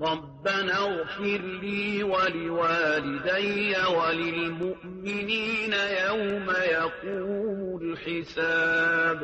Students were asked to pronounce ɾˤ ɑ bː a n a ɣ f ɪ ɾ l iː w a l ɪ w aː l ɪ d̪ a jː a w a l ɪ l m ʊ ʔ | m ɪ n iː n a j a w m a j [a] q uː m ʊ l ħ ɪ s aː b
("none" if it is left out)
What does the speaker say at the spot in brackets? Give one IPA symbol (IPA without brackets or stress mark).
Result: a